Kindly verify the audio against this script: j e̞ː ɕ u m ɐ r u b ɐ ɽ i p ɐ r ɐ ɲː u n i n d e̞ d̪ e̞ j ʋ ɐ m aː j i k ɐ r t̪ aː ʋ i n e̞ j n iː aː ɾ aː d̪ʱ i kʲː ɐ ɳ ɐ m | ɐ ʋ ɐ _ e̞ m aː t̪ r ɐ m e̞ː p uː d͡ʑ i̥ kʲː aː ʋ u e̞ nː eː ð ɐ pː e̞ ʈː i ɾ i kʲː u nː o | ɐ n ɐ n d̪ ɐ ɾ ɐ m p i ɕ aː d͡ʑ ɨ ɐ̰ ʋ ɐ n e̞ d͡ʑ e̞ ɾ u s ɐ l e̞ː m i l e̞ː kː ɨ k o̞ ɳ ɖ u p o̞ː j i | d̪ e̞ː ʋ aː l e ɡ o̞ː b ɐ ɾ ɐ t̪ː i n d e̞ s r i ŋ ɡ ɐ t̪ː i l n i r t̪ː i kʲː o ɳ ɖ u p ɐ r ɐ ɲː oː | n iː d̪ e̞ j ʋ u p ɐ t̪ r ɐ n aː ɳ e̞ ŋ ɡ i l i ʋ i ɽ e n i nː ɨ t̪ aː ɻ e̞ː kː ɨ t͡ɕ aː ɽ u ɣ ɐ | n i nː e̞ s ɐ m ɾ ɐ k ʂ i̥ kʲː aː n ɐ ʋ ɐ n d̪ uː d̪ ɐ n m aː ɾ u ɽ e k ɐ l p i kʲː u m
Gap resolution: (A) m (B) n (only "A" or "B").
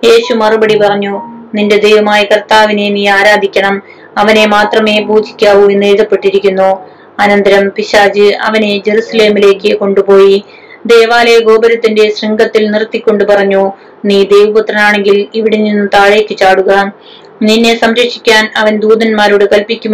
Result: B